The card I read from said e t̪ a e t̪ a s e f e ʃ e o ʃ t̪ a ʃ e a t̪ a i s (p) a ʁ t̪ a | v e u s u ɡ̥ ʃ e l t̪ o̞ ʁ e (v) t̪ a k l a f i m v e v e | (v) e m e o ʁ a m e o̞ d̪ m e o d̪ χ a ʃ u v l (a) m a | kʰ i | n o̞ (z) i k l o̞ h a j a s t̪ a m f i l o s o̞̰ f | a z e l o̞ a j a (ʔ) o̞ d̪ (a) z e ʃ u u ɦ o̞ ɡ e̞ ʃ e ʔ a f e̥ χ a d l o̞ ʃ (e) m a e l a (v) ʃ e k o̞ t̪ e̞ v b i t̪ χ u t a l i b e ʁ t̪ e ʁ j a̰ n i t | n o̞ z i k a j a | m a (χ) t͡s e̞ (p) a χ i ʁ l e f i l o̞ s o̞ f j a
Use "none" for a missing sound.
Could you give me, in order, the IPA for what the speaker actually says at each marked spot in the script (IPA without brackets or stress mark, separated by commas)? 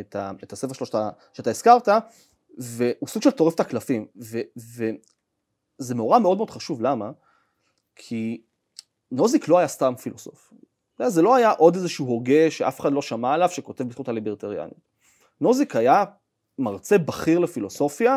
k, f, z, a, z, ʔ, e, a, v, ʁ, b